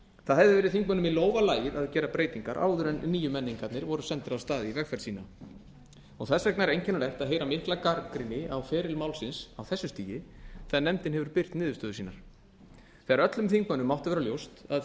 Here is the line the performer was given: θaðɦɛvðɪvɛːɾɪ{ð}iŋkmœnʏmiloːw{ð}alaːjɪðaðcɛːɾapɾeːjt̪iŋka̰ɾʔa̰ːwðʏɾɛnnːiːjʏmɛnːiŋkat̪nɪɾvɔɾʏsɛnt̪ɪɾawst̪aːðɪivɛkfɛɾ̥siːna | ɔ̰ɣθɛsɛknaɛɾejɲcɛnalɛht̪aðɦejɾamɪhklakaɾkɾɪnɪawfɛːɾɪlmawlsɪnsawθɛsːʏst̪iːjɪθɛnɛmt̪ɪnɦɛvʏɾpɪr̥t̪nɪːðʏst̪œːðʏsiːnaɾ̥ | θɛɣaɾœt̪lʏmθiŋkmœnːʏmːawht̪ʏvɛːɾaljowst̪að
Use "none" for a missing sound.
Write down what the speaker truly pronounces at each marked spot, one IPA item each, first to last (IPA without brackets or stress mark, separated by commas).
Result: θ, v